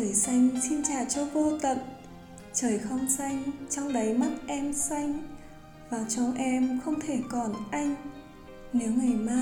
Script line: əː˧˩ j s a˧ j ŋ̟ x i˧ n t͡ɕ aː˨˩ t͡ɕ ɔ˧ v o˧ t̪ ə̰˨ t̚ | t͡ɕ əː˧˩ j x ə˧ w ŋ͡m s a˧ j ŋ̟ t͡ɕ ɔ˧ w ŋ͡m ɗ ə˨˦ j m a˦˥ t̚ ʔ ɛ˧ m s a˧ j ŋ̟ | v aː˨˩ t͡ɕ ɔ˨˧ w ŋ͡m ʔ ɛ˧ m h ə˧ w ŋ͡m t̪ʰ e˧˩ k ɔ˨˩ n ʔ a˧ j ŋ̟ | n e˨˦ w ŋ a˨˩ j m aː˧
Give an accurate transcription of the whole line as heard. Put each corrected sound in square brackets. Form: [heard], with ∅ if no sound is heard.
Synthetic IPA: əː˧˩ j s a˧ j ŋ̟ [s] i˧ n t͡ɕ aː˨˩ t͡ɕ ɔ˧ v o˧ t̪ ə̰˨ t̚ | t͡ɕ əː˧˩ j x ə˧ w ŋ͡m s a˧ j ŋ̟ t͡ɕ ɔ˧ w ŋ͡m ɗ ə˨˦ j m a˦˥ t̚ ʔ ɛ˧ m s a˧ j ŋ̟ | v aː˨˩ t͡ɕ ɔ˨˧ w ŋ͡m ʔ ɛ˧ m [x] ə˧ w ŋ͡m t̪ʰ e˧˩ k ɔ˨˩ n ʔ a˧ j ŋ̟ | n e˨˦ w ŋ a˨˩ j m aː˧